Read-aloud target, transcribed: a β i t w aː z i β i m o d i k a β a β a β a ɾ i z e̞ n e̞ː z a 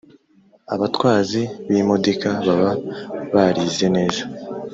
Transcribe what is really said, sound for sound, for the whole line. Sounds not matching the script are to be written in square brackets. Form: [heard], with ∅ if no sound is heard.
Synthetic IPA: a β [a] t w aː z i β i m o d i k a β a β a β a ɾ i z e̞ n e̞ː z a